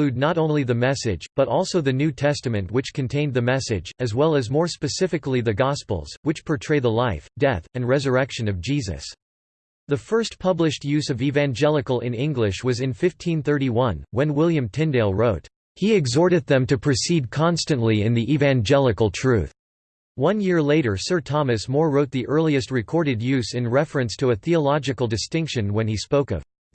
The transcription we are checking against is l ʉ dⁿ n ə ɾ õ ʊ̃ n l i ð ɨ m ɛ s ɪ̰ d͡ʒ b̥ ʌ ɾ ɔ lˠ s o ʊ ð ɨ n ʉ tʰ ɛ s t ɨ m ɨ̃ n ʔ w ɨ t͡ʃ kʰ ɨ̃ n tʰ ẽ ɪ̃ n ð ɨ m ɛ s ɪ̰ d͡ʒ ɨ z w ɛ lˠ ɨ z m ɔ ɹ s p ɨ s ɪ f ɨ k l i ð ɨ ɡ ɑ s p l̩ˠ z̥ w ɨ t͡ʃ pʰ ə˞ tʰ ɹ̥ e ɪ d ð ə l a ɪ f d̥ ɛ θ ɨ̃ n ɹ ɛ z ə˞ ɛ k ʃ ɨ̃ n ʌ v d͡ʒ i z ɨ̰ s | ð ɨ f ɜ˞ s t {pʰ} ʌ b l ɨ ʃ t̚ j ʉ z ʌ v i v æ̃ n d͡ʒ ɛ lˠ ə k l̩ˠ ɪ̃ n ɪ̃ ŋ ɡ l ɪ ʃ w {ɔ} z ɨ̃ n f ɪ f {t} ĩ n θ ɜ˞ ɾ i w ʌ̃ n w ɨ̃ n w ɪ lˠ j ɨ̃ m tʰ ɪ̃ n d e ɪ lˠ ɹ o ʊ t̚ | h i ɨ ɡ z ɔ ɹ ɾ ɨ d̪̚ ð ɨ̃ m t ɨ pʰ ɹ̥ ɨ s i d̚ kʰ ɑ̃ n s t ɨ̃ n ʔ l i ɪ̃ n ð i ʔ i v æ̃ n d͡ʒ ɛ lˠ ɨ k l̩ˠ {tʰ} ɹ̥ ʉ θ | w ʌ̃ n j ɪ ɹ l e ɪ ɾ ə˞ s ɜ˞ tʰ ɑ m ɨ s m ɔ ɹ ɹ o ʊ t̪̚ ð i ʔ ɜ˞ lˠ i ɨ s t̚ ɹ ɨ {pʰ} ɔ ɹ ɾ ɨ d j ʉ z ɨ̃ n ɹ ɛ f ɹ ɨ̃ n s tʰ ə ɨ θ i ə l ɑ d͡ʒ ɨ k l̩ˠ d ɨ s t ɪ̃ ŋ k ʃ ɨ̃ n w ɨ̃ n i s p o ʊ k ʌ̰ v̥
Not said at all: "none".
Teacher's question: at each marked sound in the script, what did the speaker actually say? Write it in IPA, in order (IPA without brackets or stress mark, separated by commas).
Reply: pʰ, ʌ, tʰ, tʰ, kʰ